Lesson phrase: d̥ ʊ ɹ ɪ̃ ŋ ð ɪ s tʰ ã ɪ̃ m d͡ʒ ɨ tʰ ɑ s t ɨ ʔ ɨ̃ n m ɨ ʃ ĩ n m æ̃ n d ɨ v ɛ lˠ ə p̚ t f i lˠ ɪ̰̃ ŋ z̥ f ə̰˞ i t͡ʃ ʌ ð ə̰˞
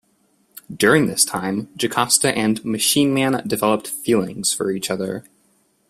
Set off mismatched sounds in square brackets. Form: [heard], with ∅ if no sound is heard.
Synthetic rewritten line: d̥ ʊ ɹ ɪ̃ ŋ ð ɪ s tʰ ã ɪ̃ m d͡ʒ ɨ [kʰ] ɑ s t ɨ ʔ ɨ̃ n m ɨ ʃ ĩ n m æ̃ n d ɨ v ɛ lˠ ə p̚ t f i lˠ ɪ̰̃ ŋ z̥ f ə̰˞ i t͡ʃ ʌ ð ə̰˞